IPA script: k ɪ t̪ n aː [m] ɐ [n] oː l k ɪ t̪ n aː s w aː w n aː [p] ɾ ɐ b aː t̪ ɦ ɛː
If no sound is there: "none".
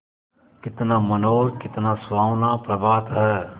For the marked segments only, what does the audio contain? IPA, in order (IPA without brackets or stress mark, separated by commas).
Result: m, n, p